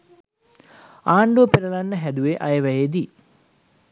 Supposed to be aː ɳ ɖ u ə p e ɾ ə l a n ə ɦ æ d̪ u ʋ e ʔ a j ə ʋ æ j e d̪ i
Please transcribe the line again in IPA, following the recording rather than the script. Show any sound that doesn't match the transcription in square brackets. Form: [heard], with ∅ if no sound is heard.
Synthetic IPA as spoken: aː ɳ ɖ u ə p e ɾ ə l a [nː] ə ɦ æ d̪ u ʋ e ʔ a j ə ʋ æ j e d̪ i